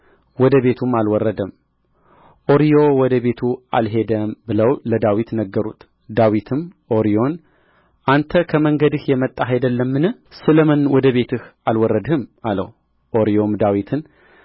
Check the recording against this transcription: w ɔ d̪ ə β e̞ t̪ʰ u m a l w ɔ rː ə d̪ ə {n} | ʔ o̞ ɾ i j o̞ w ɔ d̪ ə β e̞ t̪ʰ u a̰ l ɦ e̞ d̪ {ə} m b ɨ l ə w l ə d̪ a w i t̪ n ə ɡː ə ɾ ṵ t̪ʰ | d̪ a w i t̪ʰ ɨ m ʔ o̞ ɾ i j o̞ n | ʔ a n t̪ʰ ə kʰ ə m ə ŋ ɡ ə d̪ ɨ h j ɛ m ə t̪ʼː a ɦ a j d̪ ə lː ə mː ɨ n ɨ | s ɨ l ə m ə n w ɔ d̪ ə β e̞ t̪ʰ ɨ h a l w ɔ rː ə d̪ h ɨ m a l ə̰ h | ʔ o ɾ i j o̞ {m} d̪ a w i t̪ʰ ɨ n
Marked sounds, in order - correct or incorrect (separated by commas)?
incorrect, correct, correct